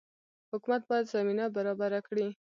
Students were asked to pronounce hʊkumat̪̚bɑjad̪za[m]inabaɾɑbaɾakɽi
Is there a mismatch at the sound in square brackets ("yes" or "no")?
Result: no